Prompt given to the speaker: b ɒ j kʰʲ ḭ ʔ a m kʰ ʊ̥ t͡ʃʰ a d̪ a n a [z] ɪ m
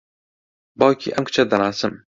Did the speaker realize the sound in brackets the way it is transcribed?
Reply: no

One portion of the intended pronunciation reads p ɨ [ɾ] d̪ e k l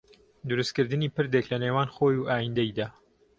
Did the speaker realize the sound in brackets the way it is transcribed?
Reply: yes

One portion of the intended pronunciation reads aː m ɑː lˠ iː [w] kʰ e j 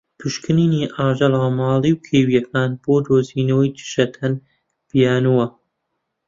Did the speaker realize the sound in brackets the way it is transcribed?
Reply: yes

